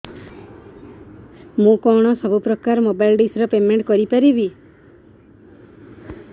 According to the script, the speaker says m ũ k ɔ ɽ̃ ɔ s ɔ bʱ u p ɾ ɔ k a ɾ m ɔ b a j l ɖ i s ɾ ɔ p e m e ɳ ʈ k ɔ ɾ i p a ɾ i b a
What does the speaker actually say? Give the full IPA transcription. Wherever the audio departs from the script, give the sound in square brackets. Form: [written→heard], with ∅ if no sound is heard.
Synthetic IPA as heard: m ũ k ɔ ɽ̃ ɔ s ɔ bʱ u p ɾ ɔ k a ɾ m [ɔ→o] b a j l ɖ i s ɾ ɔ p e m e ɳ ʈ k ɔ ɾ i p a ɾ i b [a→i]